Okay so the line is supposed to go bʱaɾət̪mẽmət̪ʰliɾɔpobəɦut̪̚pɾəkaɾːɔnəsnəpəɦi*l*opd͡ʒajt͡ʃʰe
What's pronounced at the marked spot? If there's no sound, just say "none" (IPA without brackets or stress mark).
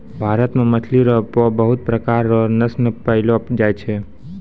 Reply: l